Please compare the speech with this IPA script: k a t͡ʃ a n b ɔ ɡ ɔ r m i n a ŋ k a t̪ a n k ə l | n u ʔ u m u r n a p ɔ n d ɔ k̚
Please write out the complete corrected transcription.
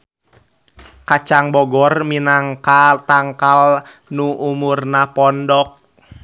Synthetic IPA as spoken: k a t͡ʃ a ŋ b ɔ ɡ ɔ r m i n a ŋ k a t̪ a ŋ k a l | n u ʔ u m u r n a p ɔ n d ɔ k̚

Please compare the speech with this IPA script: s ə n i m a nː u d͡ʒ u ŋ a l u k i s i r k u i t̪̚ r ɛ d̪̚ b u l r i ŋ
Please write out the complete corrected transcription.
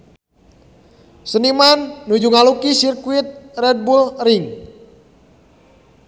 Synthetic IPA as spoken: s ə n i m a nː u d͡ʒ u ŋ a l u k i s i r k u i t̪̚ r ɛ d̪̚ b u l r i ŋ

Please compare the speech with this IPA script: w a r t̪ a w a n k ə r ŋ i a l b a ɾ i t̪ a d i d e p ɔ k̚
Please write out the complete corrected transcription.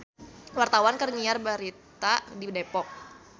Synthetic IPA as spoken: w a r t̪ a w a n k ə r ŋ i a r b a ɾ i t̪ a d i d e p ɔ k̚

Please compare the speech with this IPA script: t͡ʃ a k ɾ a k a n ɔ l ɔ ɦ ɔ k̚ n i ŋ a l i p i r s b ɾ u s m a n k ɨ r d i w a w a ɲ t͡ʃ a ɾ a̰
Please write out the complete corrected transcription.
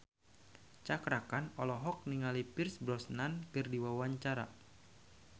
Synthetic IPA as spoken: t͡ʃ a k ɾ a k a n ɔ l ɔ ɦ ɔ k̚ n i ŋ a l i p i r s b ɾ ɔ s n a n k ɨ r d i w a w a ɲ t͡ʃ a ɾ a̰

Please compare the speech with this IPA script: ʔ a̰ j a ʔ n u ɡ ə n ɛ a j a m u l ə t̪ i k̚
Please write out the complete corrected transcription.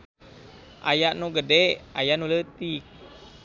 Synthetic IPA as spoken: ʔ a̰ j a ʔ n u ɡ ə d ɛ a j a n u l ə t̪ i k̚

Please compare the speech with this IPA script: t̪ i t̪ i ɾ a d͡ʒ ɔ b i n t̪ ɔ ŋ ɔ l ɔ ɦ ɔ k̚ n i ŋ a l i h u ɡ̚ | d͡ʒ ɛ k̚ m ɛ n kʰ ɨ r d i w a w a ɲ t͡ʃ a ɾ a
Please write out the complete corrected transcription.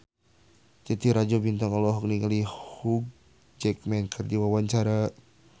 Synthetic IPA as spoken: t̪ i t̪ i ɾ a d͡ʒ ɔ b i n t̪ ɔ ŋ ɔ l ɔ ɦ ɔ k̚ n i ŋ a l i h u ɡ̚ | d͡ʒ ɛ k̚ m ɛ n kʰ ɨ r d i w a w a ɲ t͡ʃ a ɾ a

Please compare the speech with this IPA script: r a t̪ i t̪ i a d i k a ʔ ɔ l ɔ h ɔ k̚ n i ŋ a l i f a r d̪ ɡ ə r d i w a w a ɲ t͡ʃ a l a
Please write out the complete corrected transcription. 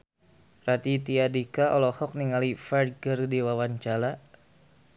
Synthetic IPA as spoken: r a t̪ i t̪ i a d i k a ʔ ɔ l ɔ h ɔ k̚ n i ŋ a l i f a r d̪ ɡ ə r d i w a w a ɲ t͡ʃ a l a

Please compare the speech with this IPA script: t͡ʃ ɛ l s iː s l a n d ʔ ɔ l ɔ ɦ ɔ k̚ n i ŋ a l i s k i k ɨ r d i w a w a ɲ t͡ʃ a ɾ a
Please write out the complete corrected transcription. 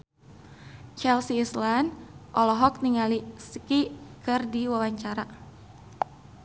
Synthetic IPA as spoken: t͡ʃ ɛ l s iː s l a n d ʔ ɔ l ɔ ɦ ɔ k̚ n i ŋ a l i s k i k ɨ r d i w a w a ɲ t͡ʃ a ɾ a

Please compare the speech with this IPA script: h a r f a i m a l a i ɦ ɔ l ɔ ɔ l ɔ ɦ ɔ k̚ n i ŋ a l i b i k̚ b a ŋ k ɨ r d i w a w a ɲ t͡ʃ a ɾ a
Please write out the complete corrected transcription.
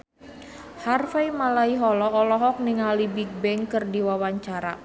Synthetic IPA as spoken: h a r f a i m a l a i ɦ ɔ l ɔ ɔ l ɔ ɦ ɔ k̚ n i ŋ a l i b i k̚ b ɛ ŋ k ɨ r d i w a w a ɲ t͡ʃ a ɾ a

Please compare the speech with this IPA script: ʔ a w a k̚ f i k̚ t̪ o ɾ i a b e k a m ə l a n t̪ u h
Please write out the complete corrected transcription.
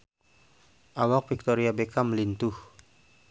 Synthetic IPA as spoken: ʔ a w a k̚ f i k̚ t̪ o ɾ i a b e k a m ə l i n t̪ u h

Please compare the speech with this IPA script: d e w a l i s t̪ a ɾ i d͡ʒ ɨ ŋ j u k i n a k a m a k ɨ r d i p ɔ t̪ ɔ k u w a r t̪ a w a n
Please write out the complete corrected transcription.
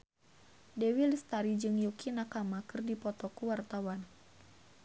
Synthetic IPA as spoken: d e w i l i s t̪ a ɾ i d͡ʒ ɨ ŋ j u k i n a k a m a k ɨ r d i p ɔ t̪ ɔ k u w a r t̪ a w a n

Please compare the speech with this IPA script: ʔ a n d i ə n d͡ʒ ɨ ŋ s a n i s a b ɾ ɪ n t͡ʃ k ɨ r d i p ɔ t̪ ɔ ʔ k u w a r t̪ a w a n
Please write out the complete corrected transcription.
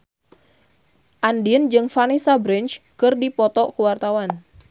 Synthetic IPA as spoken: ʔ a n d i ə n d͡ʒ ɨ ŋ f a n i s a b ɾ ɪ n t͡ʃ k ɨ r d i p ɔ t̪ ɔ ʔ k u w a r t̪ a w a n

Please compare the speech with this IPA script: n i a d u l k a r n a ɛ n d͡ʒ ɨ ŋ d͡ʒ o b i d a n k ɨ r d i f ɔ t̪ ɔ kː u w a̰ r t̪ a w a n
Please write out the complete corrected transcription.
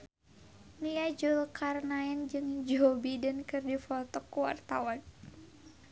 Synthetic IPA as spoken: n i a d͡ʒ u l k a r n a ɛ n d͡ʒ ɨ ŋ d͡ʒ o b i d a n k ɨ r d i f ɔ t̪ ɔ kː u w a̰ r t̪ a w a n

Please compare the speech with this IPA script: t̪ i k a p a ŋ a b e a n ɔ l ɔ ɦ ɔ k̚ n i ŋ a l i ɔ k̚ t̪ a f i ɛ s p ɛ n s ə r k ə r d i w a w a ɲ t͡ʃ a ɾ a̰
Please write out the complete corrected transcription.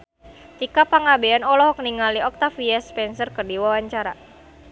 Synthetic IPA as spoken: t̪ i k a p a ŋ a b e a n ɔ l ɔ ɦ ɔ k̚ n i ŋ a l i ɔ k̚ t̪ a f i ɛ s p ɛ n s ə r k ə r d i w a w a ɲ t͡ʃ a ɾ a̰

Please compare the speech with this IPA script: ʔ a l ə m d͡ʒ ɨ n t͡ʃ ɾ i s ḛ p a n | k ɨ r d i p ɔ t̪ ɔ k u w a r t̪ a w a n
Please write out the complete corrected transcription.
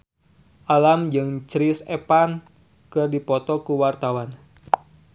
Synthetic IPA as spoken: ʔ a l a m d͡ʒ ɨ ŋ t͡ʃ ɾ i s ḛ p a n | k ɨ r d i p ɔ t̪ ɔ k u w a r t̪ a w a n

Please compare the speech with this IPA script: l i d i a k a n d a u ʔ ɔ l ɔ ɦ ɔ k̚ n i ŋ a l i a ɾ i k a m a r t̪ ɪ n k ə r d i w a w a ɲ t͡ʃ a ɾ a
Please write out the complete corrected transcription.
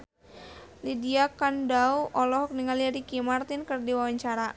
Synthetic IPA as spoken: l i d i a k a n d a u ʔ ɔ l ɔ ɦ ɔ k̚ n i ŋ a l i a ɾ i k i m a r t̪ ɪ n k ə r d i w a w a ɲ t͡ʃ a ɾ a

